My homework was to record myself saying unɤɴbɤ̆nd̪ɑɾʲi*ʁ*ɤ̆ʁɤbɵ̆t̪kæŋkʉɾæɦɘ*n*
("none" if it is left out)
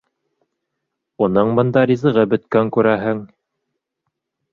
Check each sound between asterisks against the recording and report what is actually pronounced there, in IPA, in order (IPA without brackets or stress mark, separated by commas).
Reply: z, ŋ